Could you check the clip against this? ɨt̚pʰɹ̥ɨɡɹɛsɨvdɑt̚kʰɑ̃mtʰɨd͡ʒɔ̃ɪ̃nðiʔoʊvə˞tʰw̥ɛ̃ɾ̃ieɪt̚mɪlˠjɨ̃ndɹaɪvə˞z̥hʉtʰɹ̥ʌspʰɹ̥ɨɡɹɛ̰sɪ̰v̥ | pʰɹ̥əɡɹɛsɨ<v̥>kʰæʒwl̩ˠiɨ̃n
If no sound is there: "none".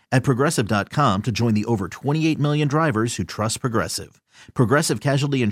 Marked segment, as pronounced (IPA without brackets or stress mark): v̥